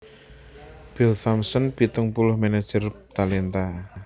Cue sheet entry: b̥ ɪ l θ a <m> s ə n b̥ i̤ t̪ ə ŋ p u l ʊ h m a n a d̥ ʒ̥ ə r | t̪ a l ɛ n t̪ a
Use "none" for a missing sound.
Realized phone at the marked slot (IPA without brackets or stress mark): m